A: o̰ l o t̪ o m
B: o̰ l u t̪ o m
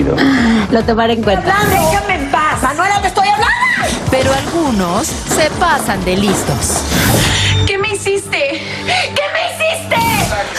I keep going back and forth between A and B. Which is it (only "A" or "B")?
A